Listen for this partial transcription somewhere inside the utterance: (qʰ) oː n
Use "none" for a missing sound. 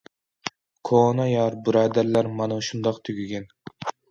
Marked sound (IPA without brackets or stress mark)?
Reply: kʰ